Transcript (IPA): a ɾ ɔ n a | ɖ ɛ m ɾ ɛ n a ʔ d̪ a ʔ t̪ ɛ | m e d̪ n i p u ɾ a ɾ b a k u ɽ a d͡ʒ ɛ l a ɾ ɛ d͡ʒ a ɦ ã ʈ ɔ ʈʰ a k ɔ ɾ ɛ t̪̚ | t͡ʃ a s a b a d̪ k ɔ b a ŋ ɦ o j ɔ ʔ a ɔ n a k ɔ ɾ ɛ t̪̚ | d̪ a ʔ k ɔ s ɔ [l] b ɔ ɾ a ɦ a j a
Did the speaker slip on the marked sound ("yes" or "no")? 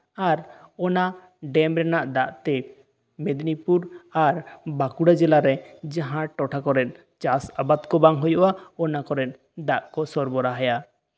yes